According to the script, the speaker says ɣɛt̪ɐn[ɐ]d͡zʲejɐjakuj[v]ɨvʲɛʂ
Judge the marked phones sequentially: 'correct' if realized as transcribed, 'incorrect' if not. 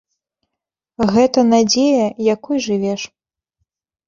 incorrect: a, incorrect: ʐ

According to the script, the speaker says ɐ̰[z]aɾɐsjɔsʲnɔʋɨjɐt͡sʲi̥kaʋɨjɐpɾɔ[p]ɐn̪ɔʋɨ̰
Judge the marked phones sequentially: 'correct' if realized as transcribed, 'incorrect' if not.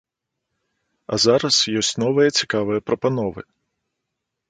correct, correct

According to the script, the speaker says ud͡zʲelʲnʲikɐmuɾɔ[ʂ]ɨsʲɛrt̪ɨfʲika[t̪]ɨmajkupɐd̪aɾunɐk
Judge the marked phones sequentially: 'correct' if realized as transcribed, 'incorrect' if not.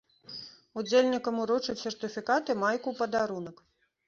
incorrect: t͡ʂ, correct

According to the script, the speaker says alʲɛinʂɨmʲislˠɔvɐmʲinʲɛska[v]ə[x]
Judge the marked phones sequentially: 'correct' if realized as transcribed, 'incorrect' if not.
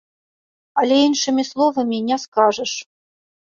incorrect: ʐ, incorrect: ʂ

